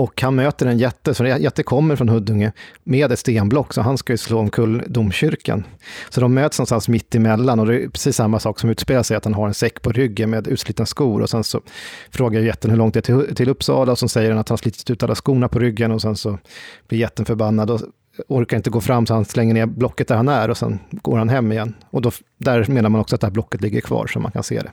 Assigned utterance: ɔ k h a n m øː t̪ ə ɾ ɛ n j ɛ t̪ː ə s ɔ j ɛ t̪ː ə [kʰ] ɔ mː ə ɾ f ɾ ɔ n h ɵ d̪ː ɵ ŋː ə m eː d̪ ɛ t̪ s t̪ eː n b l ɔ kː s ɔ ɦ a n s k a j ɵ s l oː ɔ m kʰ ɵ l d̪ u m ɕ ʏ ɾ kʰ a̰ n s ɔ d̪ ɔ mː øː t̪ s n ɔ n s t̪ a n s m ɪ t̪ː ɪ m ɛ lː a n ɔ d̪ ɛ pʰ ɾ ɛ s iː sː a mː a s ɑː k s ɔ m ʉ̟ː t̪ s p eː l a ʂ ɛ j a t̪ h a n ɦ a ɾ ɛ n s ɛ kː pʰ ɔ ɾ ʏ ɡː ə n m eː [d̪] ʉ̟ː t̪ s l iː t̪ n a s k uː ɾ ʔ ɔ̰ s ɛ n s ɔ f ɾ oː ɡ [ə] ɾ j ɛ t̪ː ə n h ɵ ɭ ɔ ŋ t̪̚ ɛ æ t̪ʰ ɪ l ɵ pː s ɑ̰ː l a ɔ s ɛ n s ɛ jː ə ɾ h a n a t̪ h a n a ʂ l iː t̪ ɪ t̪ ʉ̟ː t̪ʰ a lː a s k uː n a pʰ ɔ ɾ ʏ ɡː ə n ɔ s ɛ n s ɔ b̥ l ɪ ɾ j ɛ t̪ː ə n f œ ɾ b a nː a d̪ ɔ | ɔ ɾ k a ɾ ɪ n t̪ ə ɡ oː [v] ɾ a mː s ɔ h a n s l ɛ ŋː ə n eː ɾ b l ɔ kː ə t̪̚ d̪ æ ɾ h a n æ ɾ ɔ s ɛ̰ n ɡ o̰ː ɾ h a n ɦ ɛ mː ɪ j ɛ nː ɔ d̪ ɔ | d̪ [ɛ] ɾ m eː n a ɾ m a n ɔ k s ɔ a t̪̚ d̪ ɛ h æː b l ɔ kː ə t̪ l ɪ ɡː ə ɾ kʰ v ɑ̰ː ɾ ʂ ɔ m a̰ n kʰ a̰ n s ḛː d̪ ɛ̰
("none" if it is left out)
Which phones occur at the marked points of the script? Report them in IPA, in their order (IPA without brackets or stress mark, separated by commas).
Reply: kʰ, d̪, a, f, æ